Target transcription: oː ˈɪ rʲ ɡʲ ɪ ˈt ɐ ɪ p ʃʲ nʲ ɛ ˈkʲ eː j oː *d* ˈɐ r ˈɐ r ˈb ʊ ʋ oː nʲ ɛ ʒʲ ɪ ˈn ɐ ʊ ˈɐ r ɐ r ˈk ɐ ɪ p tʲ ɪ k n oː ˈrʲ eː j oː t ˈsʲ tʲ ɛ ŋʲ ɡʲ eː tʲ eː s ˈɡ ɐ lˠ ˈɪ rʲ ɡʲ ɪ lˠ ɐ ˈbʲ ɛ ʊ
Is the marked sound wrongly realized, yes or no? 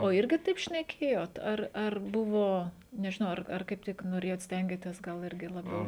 yes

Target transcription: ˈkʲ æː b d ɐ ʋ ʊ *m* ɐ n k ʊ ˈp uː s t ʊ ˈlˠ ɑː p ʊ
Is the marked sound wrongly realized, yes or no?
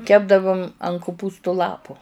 no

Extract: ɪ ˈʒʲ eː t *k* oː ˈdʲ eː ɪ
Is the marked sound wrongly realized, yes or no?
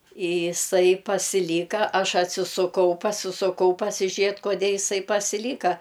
no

